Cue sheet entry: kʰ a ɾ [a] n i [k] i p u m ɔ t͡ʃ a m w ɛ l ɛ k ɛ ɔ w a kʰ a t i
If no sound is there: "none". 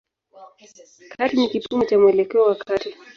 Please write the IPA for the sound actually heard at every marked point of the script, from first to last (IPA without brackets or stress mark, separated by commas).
i, k